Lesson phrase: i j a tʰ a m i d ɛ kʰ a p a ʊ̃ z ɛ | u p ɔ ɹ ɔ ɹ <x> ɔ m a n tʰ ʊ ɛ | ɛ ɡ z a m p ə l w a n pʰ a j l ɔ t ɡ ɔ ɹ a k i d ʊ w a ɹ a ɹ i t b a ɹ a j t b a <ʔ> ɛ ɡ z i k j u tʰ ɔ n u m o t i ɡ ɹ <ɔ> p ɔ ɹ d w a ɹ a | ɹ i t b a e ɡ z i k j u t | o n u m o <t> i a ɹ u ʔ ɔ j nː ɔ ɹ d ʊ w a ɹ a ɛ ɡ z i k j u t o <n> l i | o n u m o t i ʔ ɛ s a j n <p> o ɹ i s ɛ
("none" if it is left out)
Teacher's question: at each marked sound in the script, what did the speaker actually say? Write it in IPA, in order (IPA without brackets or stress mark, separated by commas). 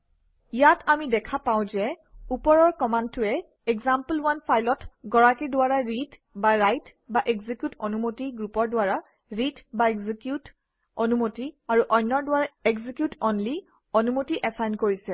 k, ʔ, u, t, n, k